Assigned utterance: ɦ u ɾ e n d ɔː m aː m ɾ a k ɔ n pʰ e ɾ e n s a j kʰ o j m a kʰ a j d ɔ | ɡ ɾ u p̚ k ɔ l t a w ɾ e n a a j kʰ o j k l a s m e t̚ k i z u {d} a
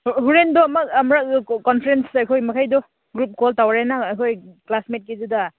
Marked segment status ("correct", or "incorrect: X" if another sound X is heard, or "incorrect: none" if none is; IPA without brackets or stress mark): correct